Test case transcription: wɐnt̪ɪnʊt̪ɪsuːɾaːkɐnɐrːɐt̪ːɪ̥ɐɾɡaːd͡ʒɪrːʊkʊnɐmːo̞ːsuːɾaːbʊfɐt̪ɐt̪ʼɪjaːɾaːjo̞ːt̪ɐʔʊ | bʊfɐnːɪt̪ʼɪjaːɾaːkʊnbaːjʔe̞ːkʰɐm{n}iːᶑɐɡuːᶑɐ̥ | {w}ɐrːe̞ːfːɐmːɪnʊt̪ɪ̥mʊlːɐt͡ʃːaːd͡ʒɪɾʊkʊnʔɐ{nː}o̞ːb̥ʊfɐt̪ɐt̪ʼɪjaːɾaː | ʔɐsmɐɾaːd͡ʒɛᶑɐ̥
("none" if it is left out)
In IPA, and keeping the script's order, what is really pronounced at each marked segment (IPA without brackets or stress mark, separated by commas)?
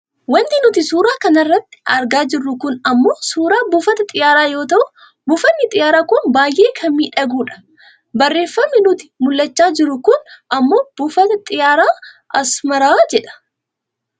m, b, mː